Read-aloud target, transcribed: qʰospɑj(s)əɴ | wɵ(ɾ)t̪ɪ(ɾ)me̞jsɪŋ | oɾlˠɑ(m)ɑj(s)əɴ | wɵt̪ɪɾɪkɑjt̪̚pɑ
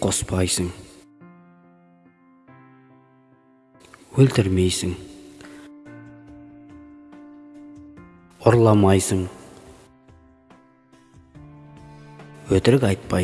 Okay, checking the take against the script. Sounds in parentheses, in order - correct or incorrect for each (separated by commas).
correct, incorrect, correct, correct, correct